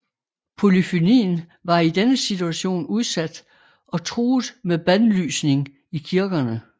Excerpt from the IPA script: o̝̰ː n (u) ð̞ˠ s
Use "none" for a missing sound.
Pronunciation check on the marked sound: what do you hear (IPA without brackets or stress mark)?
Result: u